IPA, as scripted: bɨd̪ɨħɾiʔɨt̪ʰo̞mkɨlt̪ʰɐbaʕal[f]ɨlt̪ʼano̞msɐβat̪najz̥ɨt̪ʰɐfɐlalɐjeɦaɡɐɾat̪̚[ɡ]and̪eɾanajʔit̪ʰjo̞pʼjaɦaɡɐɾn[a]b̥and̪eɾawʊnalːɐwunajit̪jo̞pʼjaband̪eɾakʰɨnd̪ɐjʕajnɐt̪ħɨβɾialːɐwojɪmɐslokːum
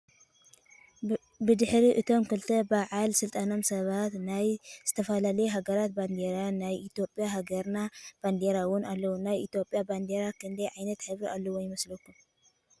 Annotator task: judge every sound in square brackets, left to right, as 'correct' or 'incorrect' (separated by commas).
incorrect, incorrect, correct